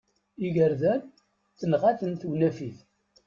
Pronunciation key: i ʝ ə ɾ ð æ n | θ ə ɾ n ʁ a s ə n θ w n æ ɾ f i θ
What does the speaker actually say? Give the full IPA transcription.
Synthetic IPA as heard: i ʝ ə ɾ ð æ n | θ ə n ʁ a θ ə n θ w n æ f i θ

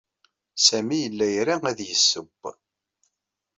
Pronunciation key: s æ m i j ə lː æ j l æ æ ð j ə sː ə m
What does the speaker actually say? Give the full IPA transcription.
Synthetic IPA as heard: s æ m i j ə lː æ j ɾ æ æ ð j ə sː ə b

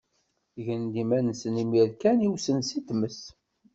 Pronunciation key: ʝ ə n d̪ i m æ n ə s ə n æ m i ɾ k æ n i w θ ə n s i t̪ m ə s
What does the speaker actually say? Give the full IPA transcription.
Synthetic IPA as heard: ʝ ə n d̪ i m æ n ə s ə n i m i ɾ k æ n i w s ə n s i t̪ m ə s

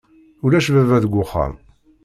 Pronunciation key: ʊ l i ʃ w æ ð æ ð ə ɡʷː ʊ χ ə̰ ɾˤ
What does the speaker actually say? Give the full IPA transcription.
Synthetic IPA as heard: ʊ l æ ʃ v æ v æ ð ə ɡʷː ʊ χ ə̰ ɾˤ

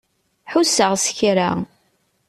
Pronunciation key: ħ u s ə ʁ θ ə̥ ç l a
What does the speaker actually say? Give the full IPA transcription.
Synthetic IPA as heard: ħ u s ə ʁ s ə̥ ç ɾ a

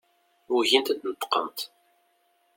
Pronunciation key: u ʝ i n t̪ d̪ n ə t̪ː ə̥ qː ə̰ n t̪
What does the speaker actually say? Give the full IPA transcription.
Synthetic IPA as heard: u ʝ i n t̪ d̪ n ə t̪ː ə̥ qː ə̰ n t̪

